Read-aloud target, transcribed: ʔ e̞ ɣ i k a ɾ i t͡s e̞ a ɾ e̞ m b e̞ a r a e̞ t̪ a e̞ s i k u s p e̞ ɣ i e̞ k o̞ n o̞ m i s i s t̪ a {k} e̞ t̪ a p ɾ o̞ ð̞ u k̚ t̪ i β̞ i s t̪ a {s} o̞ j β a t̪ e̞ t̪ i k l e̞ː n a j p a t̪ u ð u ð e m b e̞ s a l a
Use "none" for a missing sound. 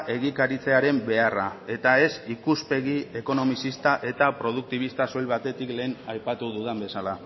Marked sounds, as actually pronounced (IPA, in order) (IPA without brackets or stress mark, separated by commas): ʔ, s